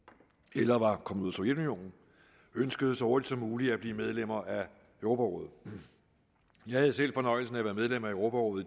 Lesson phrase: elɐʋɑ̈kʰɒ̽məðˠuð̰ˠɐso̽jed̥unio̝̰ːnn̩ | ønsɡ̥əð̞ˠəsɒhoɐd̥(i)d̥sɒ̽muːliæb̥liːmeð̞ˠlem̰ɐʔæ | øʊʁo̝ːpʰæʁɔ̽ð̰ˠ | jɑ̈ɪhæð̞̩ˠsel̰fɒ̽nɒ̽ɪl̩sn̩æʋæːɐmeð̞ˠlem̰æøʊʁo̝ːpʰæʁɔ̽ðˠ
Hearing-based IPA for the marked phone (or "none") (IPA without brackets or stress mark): i